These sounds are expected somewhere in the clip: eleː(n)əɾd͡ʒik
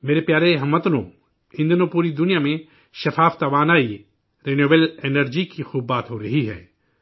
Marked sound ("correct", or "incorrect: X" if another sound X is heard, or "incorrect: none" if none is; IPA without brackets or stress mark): correct